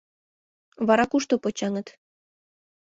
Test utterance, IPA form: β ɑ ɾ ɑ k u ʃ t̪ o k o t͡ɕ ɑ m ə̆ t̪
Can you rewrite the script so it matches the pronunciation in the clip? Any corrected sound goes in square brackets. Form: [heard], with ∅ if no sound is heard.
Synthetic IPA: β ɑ ɾ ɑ k u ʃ t̪ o [p] o t͡ɕ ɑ [ŋ] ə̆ t̪